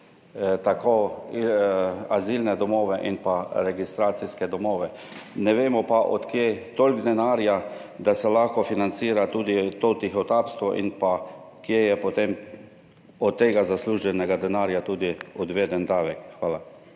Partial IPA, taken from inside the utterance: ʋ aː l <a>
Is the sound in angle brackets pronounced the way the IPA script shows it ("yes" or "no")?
yes